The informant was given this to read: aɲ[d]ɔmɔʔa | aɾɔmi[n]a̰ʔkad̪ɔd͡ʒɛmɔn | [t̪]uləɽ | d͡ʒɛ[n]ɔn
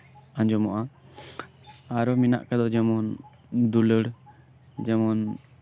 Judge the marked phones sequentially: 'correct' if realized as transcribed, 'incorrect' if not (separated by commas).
incorrect, correct, incorrect, incorrect